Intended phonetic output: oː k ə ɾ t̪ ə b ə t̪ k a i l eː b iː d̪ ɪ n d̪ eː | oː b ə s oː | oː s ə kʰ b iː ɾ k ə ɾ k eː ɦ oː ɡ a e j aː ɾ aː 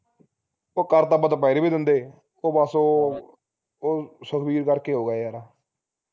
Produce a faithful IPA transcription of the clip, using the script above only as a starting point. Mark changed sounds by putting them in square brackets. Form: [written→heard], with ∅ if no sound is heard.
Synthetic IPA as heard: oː k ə ɾ t̪ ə b ə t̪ [k→p] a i [l→ɾ] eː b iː d̪ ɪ n d̪ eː | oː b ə s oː | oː s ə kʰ b iː ɾ k ə ɾ k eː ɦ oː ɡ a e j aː ɾ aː